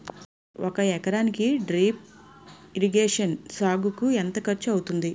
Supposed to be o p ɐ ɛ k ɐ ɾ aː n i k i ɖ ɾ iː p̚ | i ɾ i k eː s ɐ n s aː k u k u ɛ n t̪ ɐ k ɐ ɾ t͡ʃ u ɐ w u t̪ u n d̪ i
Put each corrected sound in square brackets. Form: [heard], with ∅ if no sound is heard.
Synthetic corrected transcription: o [k] ɐ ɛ k ɐ ɾ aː n i k i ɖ ɾ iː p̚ | i ɾ i [ɡ] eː [ʂ] ɐ n s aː [ɡ] u k u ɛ n t̪ ɐ k ɐ ɾ t͡ʃ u ɐ w u t̪ u n d̪ i